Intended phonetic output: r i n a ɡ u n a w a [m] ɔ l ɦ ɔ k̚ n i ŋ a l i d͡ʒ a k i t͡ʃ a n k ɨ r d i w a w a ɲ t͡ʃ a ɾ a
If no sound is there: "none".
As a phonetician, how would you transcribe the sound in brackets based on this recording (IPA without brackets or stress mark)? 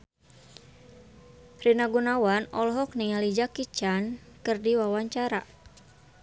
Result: n